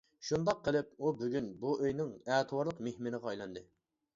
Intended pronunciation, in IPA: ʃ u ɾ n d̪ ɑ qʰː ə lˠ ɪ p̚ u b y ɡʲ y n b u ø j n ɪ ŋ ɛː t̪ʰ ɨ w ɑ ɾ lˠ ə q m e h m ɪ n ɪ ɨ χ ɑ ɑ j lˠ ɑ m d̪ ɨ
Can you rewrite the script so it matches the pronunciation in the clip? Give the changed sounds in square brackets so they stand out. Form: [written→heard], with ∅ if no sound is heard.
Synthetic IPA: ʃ u [ɾ→∅] n d̪ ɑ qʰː ə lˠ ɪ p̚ u b y ɡʲ y n b u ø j n ɪ ŋ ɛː t̪ʰ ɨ w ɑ ɾ lˠ ə q m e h m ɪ n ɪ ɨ [χ→ʁ] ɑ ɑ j lˠ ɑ [m→n] d̪ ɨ